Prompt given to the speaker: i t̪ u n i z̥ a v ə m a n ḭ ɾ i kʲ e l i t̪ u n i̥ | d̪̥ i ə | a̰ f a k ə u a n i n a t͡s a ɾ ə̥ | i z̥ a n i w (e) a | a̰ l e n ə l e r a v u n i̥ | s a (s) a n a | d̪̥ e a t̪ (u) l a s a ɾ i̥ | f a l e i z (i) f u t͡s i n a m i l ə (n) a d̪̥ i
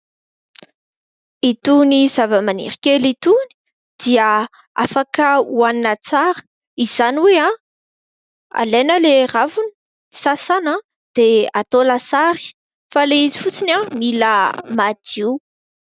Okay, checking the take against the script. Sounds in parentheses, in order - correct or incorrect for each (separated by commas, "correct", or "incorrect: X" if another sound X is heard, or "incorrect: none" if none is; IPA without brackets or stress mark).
correct, correct, incorrect: o, correct, incorrect: m